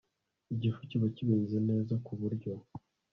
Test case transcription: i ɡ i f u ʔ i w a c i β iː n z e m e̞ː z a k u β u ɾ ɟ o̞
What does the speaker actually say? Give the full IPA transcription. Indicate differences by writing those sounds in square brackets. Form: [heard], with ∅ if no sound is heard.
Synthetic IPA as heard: i [ɟ] i f u [c] i [β] a c i β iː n z e [n] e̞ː z a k u β u ɾ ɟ o̞